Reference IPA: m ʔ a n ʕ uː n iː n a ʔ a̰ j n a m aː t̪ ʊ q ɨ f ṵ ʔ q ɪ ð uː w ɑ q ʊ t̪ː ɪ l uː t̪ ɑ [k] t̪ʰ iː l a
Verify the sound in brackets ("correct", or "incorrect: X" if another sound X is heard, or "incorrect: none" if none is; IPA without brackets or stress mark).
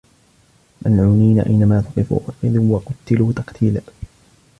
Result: incorrect: q